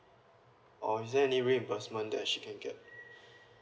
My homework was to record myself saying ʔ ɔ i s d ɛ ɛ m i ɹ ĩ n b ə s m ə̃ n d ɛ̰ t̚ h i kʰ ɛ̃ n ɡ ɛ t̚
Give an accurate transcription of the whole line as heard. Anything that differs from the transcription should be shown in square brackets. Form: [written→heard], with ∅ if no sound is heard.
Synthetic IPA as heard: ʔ ɔ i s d ɛ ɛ [m→n] i ɹ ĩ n b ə s m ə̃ n d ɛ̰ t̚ [h→ʃ] i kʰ ɛ̃ n ɡ ɛ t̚